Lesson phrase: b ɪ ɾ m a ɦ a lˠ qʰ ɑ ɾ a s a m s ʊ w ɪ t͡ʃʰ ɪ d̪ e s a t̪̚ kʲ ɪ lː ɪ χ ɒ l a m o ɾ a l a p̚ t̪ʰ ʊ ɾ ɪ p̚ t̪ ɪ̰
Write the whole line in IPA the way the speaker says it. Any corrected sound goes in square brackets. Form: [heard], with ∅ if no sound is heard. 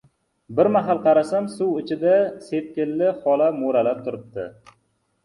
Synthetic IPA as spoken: b ɪ ɾ m a ɦ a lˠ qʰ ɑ ɾ a s a m s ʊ w ɪ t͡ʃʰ ɪ d̪ [a] s [e] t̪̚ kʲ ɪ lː ɪ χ ɒ l a m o ɾ a l a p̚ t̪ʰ ʊ ɾ ɪ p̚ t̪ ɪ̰